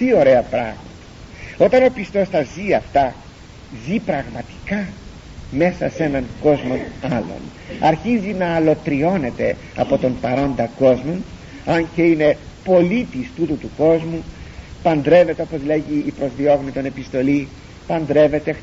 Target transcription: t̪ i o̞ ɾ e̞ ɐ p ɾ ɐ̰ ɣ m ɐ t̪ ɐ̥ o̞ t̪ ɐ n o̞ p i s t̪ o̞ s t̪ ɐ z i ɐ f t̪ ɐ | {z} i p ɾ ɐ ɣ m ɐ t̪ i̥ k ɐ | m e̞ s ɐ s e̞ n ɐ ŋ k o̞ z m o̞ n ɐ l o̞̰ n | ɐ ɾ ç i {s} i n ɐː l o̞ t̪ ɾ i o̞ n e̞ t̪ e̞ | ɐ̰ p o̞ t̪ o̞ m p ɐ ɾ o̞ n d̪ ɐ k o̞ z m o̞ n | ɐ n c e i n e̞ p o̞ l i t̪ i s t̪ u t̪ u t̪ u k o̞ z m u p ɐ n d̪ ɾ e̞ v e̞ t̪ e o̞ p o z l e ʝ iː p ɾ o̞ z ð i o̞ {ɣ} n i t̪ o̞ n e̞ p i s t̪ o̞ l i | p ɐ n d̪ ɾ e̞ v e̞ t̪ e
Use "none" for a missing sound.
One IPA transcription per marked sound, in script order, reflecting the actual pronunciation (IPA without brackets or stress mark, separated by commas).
z, z, ɣ